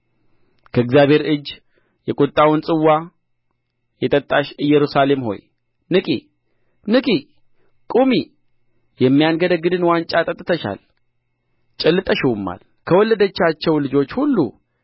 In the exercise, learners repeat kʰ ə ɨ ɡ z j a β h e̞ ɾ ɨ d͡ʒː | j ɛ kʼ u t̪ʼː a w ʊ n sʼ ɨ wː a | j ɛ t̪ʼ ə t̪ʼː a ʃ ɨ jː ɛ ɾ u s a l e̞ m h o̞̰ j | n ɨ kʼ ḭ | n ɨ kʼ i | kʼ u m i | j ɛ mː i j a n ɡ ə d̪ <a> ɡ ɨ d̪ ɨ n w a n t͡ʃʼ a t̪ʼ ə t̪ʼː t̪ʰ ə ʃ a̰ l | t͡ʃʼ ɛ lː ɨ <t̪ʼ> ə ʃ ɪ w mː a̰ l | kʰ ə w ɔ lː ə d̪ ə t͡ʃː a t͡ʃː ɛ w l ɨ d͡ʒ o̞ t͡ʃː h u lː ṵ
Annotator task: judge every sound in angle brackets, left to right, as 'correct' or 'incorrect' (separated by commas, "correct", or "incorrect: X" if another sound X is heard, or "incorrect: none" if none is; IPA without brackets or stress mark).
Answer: incorrect: ə, correct